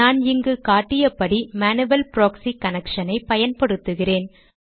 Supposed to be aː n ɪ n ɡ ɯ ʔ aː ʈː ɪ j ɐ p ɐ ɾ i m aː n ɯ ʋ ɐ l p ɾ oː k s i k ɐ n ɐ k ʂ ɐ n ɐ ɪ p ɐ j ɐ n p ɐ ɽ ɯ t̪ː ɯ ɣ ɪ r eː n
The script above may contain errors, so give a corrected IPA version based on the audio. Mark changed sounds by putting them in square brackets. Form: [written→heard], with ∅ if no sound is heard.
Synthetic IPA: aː n ɪ [n→ŋ] ɡ ɯ [ʔ→k] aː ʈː ɪ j ɐ p ɐ [ɾ→ɽ] i m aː n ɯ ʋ ɐ l p ɾ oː k s i k ɐ n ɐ k ʂ ɐ n ɐ ɪ p ɐ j ɐ n p ɐ ɽ ɯ t̪ː ɯ ɣ ɪ r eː n